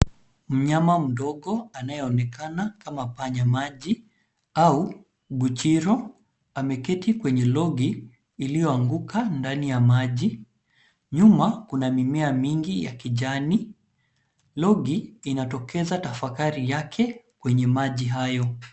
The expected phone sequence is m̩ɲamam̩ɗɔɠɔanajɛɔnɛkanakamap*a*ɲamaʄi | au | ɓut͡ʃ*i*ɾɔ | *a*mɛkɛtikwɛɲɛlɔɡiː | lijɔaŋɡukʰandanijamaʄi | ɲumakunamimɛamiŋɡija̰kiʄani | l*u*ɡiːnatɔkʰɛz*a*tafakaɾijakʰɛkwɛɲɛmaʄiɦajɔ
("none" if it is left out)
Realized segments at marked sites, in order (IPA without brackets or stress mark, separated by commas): a, i, a, ɔ, a